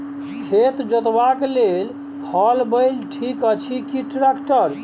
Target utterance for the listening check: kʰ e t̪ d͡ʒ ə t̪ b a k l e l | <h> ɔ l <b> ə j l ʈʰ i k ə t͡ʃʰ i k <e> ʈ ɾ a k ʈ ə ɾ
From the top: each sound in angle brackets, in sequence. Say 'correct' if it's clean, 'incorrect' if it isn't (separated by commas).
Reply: correct, correct, incorrect